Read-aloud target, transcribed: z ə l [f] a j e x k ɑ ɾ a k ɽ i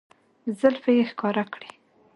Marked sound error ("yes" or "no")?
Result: no